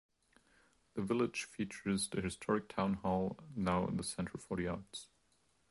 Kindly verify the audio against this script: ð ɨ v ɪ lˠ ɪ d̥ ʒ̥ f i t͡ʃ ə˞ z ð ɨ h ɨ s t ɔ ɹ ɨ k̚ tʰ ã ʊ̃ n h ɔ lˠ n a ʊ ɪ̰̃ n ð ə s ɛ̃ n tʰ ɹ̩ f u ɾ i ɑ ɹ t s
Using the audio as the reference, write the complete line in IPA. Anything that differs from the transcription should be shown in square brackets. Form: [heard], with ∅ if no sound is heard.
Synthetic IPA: ð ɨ v ɪ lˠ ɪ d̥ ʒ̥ f i t͡ʃ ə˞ z ð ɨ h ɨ s [tʰ] ɔ ɹ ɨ k̚ tʰ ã ʊ̃ n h ɔ lˠ n a ʊ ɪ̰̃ n ð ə s ɛ̃ n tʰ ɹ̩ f [ɔ] ɾ i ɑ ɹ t s